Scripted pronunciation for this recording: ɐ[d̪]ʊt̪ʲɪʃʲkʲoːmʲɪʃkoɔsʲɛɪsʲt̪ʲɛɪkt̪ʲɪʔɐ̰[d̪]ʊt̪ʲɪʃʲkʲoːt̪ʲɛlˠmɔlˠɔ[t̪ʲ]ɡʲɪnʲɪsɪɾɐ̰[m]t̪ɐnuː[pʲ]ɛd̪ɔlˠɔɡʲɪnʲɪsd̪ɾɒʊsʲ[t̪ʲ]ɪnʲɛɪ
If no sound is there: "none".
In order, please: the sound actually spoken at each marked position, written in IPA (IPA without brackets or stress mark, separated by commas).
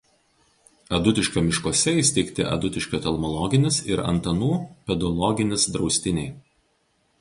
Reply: d̪, d̪, none, n, pʲ, t̪ʲ